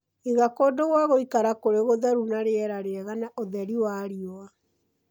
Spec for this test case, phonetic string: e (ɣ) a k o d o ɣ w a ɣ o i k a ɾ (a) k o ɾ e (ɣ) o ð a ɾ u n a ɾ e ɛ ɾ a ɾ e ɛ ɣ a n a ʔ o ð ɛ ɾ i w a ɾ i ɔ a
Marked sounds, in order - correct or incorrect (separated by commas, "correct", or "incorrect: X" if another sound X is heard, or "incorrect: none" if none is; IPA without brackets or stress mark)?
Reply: correct, correct, correct